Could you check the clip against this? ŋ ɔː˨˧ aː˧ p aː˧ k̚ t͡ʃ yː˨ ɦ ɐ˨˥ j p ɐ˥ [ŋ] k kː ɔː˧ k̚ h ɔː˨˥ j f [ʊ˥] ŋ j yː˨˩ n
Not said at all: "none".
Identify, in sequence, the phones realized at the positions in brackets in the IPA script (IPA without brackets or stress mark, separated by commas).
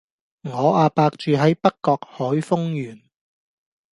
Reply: none, ʊ˥